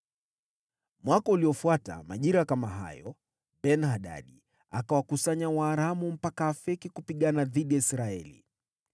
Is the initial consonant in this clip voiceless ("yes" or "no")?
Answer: no